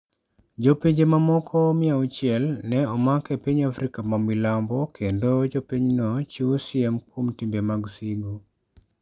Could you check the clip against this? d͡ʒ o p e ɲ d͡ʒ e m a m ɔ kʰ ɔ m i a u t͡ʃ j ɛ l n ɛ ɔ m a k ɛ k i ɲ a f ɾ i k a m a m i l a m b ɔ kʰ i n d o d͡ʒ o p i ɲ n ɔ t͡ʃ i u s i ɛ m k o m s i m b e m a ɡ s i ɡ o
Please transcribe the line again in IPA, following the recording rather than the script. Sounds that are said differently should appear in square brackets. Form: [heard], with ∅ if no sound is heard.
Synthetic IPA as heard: d͡ʒ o p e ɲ d͡ʒ e m a m ɔ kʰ ɔ m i a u t͡ʃ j ɛ l n ɛ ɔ m a k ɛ [p] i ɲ a f ɾ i k a m a m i l a m b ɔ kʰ [e] n d o d͡ʒ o p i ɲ n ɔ t͡ʃ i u s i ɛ m k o m [t] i m b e m a ɡ s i ɡ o